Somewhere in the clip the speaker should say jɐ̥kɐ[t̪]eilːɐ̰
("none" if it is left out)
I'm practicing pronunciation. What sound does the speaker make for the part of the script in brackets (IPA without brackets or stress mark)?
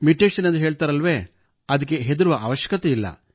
t̪